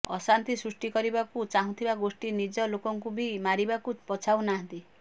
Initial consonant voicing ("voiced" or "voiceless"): voiceless